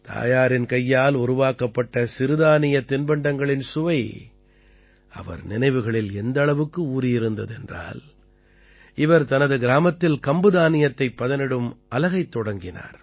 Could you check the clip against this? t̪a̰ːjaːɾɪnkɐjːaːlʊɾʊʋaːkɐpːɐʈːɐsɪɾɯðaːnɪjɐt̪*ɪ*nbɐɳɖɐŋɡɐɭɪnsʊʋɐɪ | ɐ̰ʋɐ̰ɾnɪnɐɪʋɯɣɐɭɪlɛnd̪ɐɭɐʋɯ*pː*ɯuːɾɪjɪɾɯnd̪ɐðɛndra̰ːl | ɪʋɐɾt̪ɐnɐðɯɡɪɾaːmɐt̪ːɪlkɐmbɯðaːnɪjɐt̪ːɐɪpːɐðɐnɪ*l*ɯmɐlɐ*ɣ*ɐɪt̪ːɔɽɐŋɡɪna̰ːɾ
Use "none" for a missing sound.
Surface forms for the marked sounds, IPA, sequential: ɪ, kː, ɽ, ɣ

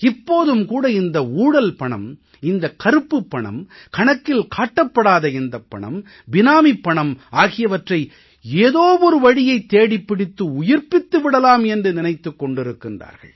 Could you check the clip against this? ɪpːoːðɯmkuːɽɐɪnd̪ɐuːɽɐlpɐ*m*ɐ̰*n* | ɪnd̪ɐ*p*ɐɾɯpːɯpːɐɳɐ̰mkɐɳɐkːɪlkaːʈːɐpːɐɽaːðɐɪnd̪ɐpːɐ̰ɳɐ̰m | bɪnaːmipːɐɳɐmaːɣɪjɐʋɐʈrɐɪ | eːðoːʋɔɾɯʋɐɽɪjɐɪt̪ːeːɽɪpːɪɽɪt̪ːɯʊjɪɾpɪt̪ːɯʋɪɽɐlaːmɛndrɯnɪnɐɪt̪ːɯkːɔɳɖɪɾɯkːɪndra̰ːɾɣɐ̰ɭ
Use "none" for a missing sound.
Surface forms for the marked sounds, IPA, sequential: ɳ, m, k

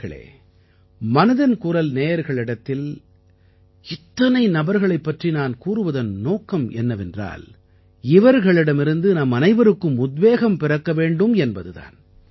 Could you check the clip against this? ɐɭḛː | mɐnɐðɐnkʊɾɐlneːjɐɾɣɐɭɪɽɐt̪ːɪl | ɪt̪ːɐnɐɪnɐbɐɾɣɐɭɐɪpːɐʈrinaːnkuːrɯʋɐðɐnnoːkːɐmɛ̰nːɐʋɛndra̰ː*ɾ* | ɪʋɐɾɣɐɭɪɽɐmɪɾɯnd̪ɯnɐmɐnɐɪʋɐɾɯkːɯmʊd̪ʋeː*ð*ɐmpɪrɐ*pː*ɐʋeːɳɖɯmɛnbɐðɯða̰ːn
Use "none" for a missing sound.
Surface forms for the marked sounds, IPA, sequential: l, ɣ, kː

